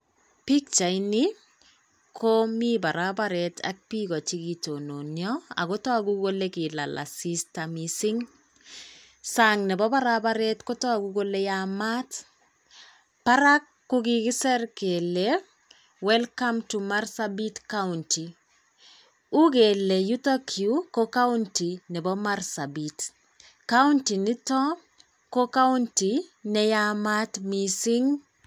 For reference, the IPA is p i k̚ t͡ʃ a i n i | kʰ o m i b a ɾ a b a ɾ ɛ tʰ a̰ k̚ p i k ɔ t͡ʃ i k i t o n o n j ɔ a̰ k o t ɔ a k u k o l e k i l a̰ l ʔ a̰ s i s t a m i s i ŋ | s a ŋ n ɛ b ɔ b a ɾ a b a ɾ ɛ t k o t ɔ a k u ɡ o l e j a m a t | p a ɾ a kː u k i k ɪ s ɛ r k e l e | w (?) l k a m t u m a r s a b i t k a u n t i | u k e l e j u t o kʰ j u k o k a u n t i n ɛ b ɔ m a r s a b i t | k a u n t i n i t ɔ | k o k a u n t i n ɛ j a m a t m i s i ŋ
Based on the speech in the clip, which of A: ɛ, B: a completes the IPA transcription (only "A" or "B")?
A